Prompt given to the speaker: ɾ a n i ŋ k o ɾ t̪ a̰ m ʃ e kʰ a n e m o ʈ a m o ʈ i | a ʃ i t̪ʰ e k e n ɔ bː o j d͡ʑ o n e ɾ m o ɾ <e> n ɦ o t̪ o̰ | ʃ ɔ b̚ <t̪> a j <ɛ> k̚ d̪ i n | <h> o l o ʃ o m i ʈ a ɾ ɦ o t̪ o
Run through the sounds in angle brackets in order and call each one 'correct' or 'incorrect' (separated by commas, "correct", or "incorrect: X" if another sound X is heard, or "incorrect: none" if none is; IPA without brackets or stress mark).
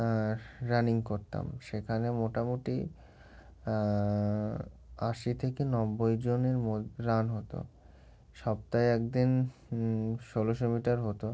incorrect: a, correct, correct, incorrect: ʃ